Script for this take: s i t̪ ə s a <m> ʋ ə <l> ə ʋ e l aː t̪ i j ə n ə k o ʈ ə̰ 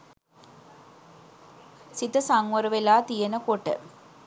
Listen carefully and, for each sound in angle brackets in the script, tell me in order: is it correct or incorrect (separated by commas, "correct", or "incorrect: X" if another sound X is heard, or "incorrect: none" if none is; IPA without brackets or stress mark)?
incorrect: ŋ, incorrect: ɾ